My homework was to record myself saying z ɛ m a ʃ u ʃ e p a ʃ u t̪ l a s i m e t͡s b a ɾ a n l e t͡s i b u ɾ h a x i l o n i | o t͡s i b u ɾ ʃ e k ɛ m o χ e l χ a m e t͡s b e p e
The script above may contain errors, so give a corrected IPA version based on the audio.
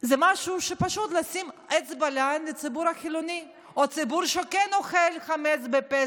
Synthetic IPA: z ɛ m a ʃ u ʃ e p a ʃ u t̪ l a s i m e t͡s b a l a n l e t͡s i b u ɾ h a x i l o n i | o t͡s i b u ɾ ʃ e k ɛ n o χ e l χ a m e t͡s b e p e

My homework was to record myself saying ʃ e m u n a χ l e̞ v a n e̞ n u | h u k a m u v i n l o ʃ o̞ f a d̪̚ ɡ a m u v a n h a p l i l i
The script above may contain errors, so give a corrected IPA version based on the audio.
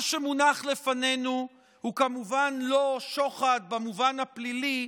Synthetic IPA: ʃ e m u n a χ l e̞ f a n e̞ n u | h u k a m u v a n l o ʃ o̞ χ a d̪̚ b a m u v a n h a p l i l i

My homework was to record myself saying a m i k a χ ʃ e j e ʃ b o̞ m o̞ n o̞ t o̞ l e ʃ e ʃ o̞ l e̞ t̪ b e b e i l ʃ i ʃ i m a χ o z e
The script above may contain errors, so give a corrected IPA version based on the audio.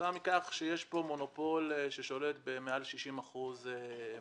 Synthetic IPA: a m i k a χ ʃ e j e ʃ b o̞ m o̞ n o̞ p o̞ l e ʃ e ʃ o̞ l e̞ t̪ b e m e a l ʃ i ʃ i m a χ u z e

